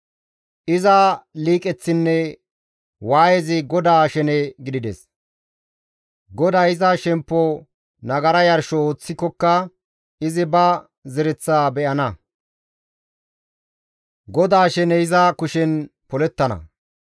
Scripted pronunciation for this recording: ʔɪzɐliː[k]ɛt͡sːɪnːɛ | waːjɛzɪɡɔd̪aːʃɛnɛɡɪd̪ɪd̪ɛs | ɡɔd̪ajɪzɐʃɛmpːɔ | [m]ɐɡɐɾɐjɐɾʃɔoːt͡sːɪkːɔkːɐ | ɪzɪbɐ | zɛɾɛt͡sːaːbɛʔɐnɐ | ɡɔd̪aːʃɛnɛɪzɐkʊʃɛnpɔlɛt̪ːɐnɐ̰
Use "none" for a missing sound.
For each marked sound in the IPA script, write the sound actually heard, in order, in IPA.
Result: kʼ, n

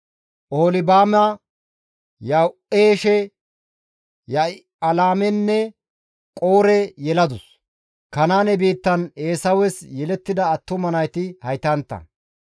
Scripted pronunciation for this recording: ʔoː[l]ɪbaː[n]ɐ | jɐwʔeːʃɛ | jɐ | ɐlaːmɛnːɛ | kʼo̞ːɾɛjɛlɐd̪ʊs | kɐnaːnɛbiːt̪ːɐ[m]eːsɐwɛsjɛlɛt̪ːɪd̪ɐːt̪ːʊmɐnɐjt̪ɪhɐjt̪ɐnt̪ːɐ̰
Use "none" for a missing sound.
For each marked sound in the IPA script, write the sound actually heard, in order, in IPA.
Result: l, m, n

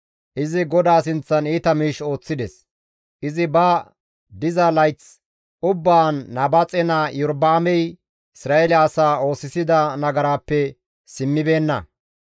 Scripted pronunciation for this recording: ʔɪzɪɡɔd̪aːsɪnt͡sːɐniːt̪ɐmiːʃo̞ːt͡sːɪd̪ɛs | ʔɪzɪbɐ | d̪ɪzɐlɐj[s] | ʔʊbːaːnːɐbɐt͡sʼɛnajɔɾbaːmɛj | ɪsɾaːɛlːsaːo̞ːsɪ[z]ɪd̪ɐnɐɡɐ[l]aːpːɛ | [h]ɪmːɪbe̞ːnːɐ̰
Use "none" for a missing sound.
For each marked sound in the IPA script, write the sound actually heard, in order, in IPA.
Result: t͡s, s, ɾ, s

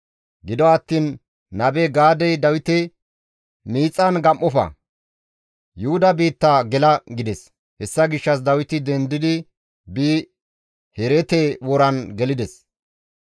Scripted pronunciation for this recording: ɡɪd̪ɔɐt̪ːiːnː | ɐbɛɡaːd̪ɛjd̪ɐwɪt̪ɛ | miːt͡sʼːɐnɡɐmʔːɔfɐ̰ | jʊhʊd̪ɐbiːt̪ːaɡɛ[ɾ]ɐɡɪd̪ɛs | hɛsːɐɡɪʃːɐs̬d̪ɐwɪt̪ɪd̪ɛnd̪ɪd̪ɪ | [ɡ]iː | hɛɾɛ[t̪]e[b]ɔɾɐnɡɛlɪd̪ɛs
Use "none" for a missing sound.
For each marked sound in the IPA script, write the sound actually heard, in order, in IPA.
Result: l, b, t̪, w

